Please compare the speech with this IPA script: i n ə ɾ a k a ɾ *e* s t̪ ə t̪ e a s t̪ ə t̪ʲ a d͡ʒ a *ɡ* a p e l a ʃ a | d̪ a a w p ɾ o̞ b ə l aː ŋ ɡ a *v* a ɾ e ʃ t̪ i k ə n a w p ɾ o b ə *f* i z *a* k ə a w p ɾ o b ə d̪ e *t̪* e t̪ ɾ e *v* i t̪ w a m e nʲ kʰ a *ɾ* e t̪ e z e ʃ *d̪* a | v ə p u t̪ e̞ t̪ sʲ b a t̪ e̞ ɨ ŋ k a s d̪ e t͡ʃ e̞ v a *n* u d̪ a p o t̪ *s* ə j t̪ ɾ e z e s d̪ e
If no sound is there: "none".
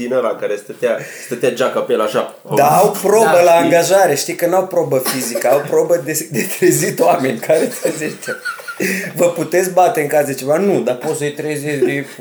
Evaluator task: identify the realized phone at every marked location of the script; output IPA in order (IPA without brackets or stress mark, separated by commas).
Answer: e, k, ʒ, f, i, d̪, z, ɾ, t̪, n, s